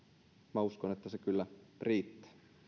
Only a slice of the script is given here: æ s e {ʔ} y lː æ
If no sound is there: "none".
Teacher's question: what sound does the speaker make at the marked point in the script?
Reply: k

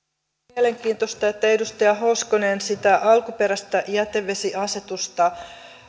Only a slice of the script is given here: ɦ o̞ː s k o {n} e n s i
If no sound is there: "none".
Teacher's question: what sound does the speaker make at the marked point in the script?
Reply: n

